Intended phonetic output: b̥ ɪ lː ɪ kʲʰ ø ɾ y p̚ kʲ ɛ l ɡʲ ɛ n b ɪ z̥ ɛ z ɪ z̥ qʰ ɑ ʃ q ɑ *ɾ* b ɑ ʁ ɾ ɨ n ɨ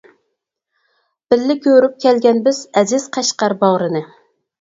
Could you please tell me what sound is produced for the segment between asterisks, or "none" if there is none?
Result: ɾ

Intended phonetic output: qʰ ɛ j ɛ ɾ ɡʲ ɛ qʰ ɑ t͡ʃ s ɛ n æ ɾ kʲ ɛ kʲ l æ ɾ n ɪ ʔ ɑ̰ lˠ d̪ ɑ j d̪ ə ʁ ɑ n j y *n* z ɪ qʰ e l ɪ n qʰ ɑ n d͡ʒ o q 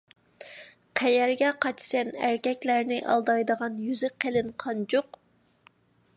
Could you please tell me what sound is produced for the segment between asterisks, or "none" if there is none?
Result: none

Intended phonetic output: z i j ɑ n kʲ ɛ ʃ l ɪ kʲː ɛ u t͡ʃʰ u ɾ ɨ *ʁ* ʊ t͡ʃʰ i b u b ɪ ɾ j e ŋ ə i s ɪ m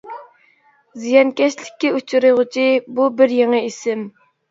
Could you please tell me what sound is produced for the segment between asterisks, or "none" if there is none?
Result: ʁ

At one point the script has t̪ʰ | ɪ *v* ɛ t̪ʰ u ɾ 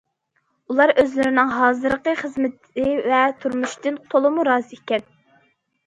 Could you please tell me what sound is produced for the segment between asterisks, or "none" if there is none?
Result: v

